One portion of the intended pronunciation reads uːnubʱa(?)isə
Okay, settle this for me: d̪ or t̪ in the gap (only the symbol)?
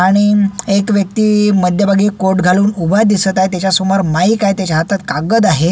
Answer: d̪